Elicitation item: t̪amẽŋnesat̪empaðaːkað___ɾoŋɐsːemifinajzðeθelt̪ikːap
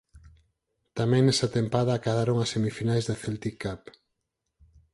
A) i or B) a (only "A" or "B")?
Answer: B